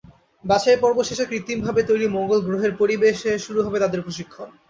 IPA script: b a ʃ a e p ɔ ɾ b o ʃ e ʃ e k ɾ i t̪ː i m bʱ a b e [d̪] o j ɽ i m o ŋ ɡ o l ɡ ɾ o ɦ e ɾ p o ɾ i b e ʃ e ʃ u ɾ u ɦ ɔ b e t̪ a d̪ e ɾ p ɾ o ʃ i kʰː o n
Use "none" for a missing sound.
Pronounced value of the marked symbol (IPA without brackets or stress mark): t̪